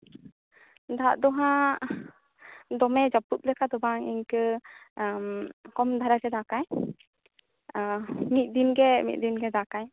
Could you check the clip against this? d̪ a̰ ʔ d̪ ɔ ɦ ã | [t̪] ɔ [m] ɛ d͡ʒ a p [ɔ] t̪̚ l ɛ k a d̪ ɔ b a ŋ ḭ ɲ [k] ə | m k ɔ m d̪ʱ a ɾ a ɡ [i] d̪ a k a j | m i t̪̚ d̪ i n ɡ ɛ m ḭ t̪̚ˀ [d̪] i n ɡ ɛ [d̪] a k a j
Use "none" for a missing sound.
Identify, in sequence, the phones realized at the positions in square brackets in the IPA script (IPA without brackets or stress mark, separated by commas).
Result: d̪, m, u, k, ɛ, d̪, d̪